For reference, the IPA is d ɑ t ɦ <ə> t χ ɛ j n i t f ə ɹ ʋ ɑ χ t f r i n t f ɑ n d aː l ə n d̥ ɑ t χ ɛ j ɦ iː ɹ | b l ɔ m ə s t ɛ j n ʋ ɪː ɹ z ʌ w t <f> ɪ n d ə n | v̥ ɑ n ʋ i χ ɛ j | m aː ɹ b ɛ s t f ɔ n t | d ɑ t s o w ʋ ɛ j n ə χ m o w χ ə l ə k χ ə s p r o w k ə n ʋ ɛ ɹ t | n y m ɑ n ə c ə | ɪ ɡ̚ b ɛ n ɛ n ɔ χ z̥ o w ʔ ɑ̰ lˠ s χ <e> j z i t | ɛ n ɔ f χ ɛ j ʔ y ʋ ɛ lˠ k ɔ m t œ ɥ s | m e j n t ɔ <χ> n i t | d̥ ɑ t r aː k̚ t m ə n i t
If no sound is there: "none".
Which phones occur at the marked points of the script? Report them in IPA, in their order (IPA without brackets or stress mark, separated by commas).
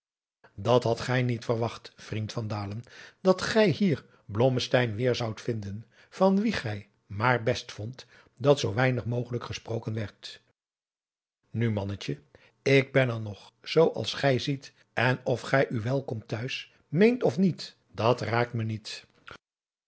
ɑ, f, ɛ, f